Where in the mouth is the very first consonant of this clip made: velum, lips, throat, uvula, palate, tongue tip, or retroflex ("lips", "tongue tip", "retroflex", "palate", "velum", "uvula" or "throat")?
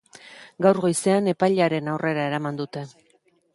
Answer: velum